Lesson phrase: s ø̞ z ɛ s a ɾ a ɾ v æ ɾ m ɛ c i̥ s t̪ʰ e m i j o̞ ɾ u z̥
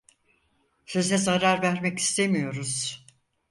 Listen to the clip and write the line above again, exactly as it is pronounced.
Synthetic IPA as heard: s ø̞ z ɛ z a ɾ a ɾ v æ ɾ m ɛ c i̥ s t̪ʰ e m i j o̞ ɾ u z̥